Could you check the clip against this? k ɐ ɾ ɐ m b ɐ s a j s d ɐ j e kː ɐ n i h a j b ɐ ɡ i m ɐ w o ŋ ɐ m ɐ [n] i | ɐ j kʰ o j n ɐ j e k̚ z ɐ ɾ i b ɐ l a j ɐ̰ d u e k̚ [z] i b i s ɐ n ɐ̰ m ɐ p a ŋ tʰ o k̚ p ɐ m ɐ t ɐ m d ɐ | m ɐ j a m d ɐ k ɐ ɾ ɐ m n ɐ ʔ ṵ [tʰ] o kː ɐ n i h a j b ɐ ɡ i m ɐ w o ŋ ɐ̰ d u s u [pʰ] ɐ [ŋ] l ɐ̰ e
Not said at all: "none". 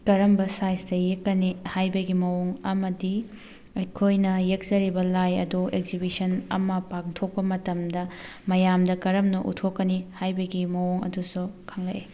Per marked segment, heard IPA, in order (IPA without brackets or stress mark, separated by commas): d, z, tʰ, kʰ, ŋ